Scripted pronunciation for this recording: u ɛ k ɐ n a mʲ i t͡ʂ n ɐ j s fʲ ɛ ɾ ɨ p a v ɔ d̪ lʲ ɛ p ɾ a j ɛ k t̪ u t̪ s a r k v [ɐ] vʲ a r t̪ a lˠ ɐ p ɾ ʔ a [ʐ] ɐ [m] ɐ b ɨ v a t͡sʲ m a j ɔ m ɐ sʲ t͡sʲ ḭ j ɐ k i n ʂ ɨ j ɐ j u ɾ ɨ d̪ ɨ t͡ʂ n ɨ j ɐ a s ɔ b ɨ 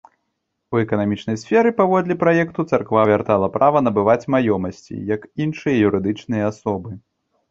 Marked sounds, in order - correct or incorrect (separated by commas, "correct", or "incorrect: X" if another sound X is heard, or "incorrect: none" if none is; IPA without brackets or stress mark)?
incorrect: a, incorrect: v, incorrect: n